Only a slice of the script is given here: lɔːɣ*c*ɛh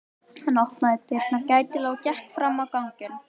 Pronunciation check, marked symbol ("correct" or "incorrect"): correct